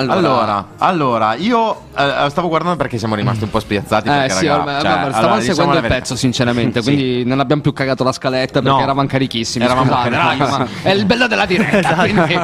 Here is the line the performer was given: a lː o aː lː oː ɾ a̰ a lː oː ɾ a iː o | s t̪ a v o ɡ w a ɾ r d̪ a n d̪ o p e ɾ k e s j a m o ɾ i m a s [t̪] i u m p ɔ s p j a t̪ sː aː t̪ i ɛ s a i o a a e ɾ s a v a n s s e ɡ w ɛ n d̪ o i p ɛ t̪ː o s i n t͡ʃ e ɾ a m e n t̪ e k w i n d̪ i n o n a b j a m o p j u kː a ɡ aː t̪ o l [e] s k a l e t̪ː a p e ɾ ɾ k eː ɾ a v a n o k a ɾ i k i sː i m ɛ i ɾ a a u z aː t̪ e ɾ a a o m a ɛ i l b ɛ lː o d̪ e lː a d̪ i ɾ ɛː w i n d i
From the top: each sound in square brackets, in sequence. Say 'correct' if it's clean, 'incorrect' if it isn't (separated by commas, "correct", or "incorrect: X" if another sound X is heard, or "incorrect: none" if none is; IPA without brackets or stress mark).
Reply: correct, incorrect: a